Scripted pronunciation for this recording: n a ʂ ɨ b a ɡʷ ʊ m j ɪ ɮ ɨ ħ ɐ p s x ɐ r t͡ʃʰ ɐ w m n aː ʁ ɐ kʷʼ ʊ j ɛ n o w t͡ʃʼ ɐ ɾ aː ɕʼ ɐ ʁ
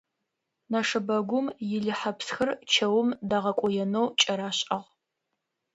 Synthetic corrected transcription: n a ʂ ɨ b ɐ ɡʷ ʊ m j ɪ ɮ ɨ ħ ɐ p s x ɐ r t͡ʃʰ ɐ w m d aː ʁ ɐ kʷʼ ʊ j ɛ n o w t͡ʃʼ ɐ ɾ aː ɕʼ ɐ ʁ

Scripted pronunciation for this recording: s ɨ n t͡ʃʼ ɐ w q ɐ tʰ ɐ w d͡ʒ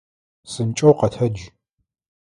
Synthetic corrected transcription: s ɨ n t͡ʃʼ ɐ w q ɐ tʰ ɐ d͡ʒ

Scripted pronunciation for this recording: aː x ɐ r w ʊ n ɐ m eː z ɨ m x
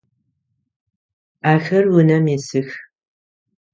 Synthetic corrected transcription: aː x ɐ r w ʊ n ɐ m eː s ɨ x

